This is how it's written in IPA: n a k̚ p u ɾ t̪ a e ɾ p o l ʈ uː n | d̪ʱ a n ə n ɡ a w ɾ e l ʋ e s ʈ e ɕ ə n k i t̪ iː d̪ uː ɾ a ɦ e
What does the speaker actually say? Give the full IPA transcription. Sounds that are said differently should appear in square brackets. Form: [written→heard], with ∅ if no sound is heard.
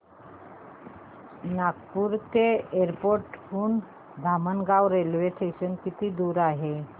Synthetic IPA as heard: n a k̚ p u ɾ t̪ [a→e] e ɾ p o [l→ɾ] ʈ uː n | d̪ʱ a [n→m] ə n ɡ a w ɾ e l ʋ e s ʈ e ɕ ə n k i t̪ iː d̪ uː ɾ a ɦ e

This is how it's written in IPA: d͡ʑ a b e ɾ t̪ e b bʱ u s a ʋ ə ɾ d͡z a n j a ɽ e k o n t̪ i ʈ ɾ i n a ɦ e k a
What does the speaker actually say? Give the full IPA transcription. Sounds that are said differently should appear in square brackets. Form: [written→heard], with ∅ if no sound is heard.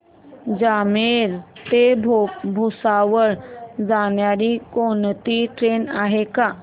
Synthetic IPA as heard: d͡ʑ a [b→m] e ɾ t̪ e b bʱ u s a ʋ ə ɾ d͡z a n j a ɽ [e→i] k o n t̪ i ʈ ɾ [i→e] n a ɦ e k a

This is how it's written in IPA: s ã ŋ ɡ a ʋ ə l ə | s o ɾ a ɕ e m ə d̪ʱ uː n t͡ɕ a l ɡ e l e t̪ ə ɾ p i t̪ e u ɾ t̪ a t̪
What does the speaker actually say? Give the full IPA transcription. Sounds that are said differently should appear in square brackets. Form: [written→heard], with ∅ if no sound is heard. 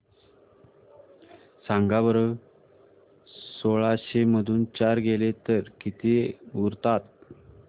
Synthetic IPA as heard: s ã ŋ ɡ a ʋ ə [l→ɾ] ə | s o [ɾ→ɭ] a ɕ e m ə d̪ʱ uː n t͡ɕ a [l→ɾ] ɡ e l e t̪ ə ɾ [p→k] i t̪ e u ɾ t̪ a t̪

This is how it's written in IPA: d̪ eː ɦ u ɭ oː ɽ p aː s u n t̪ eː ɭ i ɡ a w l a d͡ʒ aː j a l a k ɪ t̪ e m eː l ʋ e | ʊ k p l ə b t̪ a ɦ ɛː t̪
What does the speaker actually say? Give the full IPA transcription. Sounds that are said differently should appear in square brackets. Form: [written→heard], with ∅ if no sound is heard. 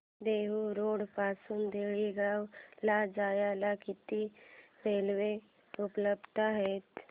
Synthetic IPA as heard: d̪ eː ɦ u [ɭ→ɾ] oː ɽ p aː s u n [t̪→d̪] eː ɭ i ɡ a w l a d͡ʒ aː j a l a k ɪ t̪ [e→i] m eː l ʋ e | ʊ [k→∅] p l ə b t̪ a ɦ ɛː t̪

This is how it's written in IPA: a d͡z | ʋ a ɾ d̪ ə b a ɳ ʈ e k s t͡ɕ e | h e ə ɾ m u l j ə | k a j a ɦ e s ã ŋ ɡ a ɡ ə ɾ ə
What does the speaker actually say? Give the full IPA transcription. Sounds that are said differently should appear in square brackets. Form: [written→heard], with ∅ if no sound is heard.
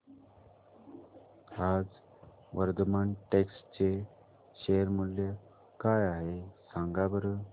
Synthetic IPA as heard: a d͡z | ʋ [a→ə] ɾ d̪ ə [b→m] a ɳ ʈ e k s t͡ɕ e | [h→ɕ] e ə ɾ m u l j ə | k a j a ɦ e s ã ŋ ɡ a [ɡ→b] ə ɾ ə

